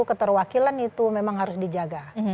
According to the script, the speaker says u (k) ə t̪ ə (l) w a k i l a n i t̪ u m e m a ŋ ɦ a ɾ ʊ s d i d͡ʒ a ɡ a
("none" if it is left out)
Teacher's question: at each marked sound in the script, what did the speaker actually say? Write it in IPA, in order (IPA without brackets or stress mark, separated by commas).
k, r